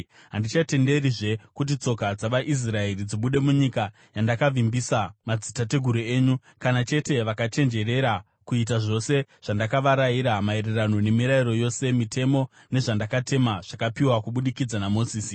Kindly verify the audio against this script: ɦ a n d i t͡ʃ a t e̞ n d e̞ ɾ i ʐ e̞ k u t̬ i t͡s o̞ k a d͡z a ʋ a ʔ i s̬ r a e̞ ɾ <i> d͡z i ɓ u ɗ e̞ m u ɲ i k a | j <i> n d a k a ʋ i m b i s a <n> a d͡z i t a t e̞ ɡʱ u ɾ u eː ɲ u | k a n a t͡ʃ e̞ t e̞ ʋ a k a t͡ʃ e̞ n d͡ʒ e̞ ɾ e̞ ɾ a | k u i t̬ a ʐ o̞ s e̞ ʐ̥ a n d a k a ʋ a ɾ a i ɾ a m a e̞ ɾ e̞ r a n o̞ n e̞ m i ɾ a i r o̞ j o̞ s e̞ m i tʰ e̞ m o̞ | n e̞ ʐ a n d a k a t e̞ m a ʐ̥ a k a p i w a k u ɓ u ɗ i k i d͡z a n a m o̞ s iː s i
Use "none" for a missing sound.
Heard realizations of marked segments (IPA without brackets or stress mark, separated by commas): i, a, m